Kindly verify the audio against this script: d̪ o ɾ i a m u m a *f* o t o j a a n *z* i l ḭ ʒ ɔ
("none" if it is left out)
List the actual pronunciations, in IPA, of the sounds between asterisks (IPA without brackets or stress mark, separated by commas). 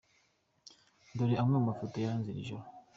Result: f, z